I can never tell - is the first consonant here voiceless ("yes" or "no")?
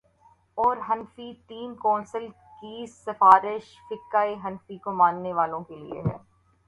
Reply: no